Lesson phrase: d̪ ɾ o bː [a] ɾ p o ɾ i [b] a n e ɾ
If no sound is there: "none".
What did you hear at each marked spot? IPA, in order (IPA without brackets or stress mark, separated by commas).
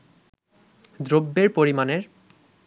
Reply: e, m